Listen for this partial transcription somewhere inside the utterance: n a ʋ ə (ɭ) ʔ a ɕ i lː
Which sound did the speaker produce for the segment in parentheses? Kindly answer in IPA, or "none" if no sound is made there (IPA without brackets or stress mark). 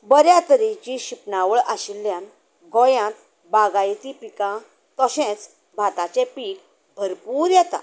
ɭ